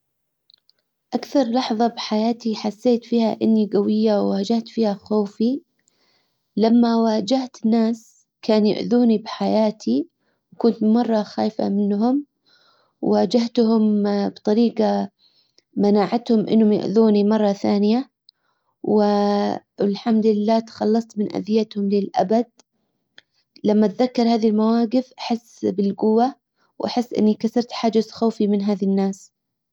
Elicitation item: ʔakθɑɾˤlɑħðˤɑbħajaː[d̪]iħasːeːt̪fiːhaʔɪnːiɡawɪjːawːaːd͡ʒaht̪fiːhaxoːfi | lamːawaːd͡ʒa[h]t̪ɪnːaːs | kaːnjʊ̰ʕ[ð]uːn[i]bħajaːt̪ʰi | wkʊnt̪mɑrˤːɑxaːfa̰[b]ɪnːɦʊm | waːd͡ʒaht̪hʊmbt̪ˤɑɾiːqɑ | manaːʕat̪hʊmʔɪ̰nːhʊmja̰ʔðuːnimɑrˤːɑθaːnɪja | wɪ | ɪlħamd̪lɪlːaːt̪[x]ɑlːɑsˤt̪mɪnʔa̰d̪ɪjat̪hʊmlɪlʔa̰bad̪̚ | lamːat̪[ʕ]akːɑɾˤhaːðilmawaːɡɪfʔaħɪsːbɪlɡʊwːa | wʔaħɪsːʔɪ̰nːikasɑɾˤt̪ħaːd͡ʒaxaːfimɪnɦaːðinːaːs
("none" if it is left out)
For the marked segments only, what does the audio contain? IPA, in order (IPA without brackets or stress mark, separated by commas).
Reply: t̪, h, ð, i, m, x, ð